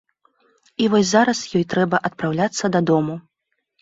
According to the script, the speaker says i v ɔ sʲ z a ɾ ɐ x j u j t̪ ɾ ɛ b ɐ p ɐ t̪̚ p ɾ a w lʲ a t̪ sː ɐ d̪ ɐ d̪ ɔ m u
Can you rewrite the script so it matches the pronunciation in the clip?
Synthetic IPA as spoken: i v ɔ sʲ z a ɾ ɐ s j ɔ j t̪ ɾ ɛ b ɐ ʔ ɐ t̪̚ p ɾ a w lʲ a t̪ sː ɐ d̪ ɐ d̪ ɔ m u

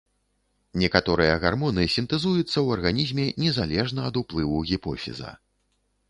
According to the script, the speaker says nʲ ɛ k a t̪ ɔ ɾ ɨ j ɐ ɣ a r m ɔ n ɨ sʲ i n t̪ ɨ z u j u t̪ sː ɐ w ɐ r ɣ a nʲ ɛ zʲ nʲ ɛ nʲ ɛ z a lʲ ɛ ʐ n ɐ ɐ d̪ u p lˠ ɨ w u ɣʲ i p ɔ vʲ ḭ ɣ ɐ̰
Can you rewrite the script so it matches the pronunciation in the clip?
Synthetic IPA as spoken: nʲ ɛ k a t̪ ɔ ɾ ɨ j ɐ ɣ a r m ɔ n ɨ sʲ i n t̪ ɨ z u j u t̪ sː ɐ w ɐ r ɣ a nʲ i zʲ mʲ ɛ nʲ ɛ z a lʲ ɛ ʐ n ɐ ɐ d̪ u p lˠ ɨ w u ɣʲ i p ɔ fʲ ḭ z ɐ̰

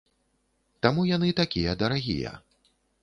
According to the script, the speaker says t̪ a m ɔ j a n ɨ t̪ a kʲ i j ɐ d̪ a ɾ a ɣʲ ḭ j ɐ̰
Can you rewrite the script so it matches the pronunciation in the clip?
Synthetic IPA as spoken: t̪ a m u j a n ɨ t̪ a kʲ i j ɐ d̪ ɐ ɾ a ɣʲ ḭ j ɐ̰

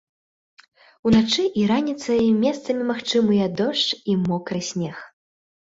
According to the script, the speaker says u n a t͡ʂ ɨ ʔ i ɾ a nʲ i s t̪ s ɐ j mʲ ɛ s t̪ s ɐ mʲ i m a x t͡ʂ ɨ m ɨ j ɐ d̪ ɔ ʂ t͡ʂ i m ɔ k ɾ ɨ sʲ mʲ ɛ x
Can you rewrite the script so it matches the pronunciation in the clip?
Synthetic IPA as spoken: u n a t͡ʂ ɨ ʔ i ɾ a nʲ i t̪ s ɐ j mʲ ɛ s t̪ s ɐ mʲ i m a x t͡ʂ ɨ m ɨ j ɐ d̪ ɔ ʂ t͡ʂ i m ɔ k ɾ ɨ sʲ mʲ ɛ x

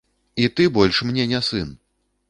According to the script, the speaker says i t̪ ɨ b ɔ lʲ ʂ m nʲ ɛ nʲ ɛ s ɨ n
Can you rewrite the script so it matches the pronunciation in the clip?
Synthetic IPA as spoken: i t̪ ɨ b ɔ lʲ ʂ m nʲ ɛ nʲ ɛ s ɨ n

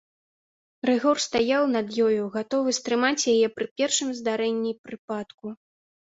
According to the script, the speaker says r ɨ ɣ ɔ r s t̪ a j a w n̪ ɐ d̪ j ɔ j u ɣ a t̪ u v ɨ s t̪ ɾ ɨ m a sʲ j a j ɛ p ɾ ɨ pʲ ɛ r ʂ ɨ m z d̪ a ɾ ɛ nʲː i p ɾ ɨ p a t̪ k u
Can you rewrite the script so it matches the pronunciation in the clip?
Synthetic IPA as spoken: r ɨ ɣ ɔ r s t̪ a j a w n̪ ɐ d̪ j ɔ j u ɣ a t̪ ɔ v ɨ s t̪ ɾ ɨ m a t͡sʲ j a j ɛ p ɾ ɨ pʲ ɛ r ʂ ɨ m z d̪ a ɾ ɛ nʲː i p ɾ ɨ p a t̪ k u

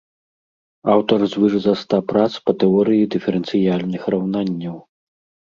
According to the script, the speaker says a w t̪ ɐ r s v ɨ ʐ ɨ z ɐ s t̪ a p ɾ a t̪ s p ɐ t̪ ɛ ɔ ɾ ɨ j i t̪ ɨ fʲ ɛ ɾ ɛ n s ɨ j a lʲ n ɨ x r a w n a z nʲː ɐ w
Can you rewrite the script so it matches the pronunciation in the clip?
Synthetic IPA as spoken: a w t̪ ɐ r z v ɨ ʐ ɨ z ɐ s t̪ a p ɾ a t̪ s p ɐ t̪ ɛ ɔ ɾ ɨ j i d̪ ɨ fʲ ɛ ɾ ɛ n s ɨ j a lʲ n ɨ x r a w n a nʲː ɐ w

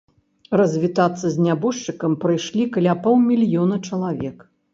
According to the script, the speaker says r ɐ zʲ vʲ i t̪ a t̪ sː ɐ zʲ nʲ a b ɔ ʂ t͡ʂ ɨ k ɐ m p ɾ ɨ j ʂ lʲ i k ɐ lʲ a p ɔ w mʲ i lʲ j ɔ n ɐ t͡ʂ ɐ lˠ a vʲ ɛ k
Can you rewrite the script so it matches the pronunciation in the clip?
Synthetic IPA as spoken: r ɐ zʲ vʲ i t̪ a t̪ sː ɐ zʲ nʲ a b ɔ ʂ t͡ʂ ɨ k ɐ m p ɾ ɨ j ʂ lʲ i k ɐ lʲ a p ɔ w mʲ i lʲ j ɔ n ɐ t͡ʂ ɐ lˠ a vʲ ɛ k

